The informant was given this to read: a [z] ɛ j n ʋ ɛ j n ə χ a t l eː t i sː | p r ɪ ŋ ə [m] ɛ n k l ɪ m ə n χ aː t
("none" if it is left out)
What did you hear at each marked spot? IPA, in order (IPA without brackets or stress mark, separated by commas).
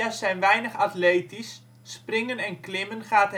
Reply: s, n